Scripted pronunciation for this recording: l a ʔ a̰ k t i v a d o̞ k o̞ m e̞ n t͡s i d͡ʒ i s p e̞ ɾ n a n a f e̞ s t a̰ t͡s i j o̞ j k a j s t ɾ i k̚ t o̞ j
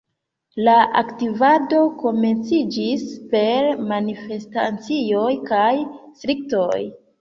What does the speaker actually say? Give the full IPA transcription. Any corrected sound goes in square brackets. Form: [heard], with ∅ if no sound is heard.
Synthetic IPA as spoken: l a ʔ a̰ k t i v a d o̞ k o̞ m e̞ n t͡s i d͡ʒ i s p e̞ ɾ [m] a n [i] f e̞ s t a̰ t͡s i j o̞ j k a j s t ɾ i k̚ t o̞ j